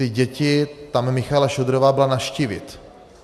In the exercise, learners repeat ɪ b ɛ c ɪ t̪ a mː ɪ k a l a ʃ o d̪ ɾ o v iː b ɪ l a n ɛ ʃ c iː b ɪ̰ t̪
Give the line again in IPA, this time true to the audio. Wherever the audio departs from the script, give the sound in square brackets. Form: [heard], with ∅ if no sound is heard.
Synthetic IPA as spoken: ɪ [ɟ] ɛ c ɪ t̪ a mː ɪ [x] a l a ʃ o d̪ ɾ o v [aː] b ɪ l a n [a] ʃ c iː [v] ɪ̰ t̪